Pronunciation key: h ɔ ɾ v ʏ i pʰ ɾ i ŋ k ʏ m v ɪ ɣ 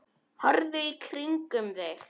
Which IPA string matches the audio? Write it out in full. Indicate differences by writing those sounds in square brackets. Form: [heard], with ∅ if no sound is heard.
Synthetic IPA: h ɔ ɾ [ð] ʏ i [kʰ] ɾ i ŋ k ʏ m [ð] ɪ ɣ